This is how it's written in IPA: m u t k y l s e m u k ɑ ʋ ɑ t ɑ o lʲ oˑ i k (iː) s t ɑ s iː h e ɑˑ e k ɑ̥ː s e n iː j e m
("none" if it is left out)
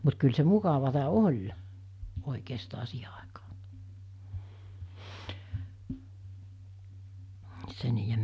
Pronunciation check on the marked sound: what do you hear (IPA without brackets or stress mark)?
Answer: eː